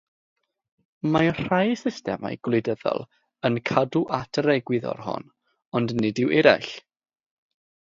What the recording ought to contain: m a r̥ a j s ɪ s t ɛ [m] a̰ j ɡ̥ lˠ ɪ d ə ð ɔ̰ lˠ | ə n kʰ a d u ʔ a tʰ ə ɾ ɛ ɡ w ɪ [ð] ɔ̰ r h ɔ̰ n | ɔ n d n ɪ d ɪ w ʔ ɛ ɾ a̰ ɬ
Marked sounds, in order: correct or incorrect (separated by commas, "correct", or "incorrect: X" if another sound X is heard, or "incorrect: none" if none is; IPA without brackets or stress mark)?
correct, correct